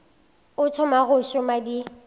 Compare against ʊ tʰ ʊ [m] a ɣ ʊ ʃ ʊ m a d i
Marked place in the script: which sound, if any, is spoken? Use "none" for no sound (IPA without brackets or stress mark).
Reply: m